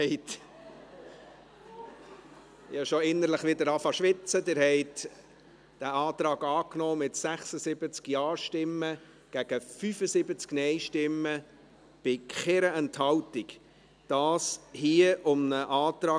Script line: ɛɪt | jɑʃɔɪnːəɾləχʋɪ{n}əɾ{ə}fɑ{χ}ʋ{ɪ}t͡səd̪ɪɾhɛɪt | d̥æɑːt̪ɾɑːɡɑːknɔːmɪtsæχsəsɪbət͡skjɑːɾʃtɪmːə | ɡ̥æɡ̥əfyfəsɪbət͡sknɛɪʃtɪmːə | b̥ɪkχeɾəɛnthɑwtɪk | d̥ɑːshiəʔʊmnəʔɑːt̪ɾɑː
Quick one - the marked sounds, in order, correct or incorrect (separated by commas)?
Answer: incorrect, incorrect, incorrect, correct